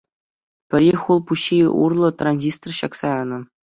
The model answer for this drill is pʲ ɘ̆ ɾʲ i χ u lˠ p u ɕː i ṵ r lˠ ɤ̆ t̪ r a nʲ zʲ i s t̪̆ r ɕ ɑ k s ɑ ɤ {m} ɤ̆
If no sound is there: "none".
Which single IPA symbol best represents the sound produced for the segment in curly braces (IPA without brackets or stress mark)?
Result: n